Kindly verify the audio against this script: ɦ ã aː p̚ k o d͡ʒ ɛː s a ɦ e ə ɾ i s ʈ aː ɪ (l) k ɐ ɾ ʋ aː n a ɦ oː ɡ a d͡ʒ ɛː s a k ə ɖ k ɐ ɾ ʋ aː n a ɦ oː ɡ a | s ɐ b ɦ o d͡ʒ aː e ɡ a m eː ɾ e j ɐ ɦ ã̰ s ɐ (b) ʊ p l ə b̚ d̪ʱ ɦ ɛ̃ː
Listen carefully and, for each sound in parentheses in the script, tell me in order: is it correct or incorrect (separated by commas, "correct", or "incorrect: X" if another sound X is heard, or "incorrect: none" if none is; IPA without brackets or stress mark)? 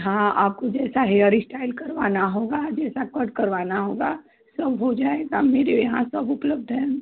correct, correct